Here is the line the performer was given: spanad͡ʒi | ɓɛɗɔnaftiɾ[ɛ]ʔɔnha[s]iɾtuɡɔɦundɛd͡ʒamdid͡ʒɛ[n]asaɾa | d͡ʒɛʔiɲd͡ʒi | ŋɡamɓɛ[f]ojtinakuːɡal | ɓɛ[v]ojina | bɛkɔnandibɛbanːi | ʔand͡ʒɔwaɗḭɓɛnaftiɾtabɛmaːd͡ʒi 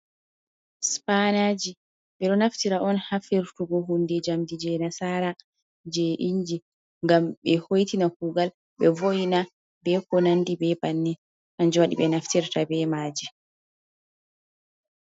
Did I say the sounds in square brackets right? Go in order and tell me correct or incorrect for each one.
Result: incorrect, incorrect, correct, incorrect, correct

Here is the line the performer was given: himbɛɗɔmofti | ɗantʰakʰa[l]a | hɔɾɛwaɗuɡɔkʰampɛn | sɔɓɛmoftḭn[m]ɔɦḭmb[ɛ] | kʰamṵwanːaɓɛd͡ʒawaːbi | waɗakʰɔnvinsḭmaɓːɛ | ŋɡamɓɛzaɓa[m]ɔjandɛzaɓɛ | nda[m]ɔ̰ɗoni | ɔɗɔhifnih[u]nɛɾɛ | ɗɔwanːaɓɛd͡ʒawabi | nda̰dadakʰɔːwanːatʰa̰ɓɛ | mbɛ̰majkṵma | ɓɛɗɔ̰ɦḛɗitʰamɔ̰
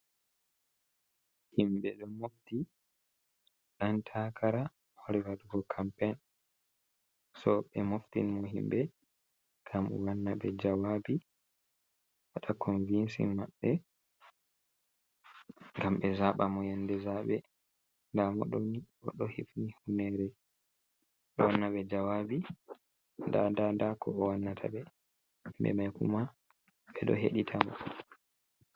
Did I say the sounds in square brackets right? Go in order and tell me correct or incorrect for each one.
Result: incorrect, correct, correct, correct, correct, correct

